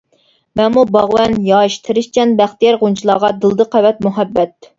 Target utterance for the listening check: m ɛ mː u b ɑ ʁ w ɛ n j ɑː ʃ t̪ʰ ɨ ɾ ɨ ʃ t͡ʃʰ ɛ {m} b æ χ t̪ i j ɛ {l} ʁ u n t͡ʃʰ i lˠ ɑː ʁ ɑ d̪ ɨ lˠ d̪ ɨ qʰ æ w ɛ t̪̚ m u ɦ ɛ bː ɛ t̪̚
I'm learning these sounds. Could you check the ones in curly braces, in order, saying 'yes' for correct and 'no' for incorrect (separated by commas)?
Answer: no, no